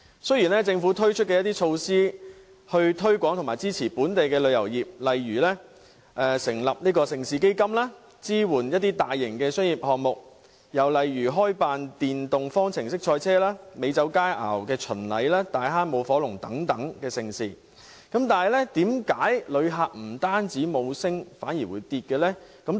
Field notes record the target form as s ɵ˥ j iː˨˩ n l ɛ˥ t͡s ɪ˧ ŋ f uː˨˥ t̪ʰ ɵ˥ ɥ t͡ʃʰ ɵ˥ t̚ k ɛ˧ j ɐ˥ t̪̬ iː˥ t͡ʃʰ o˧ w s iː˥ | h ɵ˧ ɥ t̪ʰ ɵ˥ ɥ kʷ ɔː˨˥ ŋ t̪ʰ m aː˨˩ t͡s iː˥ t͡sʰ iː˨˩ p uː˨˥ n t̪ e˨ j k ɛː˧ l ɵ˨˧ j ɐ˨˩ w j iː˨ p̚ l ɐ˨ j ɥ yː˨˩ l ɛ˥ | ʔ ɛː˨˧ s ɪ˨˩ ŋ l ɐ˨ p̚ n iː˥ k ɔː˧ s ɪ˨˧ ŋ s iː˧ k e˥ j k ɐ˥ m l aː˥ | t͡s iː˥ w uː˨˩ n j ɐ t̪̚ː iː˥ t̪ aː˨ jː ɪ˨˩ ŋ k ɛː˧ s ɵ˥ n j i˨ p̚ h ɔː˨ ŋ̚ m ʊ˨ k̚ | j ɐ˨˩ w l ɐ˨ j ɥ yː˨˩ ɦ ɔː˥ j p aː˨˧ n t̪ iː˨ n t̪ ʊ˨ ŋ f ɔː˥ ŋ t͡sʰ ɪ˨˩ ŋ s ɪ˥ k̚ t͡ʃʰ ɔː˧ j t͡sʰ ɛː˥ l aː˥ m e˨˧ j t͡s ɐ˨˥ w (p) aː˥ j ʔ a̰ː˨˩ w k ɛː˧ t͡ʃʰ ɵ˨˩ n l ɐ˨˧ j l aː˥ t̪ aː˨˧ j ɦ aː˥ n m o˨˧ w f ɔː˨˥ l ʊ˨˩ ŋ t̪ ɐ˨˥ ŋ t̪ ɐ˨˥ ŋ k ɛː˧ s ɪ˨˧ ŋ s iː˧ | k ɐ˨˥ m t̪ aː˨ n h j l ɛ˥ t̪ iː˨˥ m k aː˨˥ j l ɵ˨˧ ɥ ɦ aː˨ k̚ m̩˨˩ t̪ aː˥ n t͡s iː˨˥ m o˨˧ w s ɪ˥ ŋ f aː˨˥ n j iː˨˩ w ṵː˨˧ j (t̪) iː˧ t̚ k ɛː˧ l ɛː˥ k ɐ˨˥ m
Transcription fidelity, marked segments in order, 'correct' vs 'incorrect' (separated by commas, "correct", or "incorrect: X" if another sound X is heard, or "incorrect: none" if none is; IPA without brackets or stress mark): incorrect: k, correct